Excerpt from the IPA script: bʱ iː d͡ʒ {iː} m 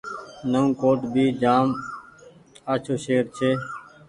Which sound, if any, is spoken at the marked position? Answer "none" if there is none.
aː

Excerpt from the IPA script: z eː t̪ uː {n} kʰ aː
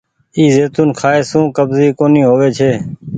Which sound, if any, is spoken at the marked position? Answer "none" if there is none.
n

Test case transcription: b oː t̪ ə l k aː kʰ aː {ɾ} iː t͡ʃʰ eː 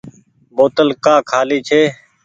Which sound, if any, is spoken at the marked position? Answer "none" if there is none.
l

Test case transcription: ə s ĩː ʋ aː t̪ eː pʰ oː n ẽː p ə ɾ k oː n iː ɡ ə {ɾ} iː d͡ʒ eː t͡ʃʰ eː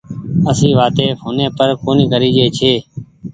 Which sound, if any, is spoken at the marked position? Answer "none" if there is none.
ɾ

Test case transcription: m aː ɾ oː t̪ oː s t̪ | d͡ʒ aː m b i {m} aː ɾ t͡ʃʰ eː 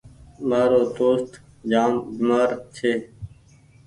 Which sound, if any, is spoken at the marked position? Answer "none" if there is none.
m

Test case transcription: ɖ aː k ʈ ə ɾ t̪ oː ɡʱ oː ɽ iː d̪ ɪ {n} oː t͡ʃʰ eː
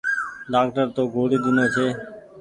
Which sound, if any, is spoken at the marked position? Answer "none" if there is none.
n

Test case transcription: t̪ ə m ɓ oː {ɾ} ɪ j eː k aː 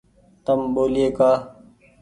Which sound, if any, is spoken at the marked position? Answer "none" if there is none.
l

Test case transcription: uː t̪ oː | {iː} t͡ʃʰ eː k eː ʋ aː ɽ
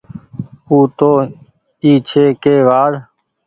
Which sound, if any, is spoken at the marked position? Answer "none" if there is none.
iː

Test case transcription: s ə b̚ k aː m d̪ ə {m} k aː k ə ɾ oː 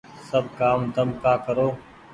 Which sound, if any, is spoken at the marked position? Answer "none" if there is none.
m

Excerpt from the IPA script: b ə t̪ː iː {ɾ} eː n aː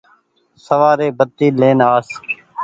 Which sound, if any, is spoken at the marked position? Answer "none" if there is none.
l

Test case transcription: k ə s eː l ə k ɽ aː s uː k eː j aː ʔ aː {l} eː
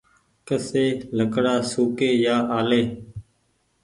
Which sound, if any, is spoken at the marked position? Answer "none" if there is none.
l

